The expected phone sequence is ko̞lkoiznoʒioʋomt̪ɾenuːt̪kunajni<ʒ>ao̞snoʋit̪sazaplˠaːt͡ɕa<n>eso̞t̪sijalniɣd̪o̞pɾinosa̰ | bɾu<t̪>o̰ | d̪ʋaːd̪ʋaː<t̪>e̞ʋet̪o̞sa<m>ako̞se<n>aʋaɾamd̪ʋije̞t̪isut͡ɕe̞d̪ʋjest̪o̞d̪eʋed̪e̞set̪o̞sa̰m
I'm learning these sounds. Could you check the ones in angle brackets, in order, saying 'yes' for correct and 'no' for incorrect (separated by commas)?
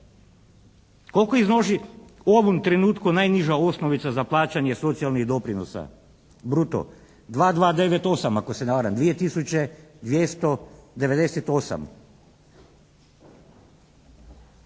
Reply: yes, no, yes, no, yes, yes